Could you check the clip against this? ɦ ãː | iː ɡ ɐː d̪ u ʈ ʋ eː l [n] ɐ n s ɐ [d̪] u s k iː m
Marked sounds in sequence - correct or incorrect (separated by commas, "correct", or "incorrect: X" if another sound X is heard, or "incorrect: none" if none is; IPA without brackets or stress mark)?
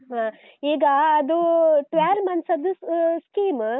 incorrect: m, correct